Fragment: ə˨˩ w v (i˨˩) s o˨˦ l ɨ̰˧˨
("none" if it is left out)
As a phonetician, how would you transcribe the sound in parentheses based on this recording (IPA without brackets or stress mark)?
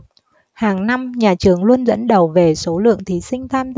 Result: e˨˩